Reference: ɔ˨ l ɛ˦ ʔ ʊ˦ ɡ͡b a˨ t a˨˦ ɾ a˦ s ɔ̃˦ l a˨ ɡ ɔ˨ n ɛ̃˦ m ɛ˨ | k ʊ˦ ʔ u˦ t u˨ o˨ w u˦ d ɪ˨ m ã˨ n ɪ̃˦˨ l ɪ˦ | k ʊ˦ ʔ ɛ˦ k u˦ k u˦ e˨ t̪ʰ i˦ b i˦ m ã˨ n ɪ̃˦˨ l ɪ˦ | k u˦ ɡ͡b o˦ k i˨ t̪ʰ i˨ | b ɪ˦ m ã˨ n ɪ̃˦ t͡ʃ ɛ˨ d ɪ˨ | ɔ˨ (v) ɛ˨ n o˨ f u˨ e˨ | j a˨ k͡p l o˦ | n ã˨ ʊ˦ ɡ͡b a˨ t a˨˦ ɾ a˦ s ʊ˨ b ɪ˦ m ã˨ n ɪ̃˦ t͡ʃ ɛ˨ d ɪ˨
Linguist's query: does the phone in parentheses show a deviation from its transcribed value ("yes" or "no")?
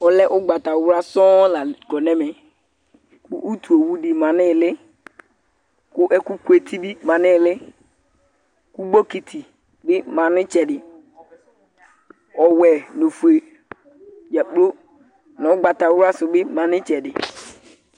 yes